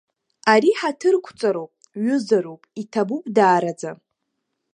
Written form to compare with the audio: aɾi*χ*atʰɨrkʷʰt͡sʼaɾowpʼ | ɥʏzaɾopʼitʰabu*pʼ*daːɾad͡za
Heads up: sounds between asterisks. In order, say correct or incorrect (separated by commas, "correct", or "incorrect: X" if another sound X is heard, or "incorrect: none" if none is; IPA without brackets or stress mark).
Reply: incorrect: ħ, correct